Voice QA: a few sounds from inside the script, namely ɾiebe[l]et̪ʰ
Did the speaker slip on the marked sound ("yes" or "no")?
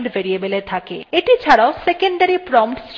no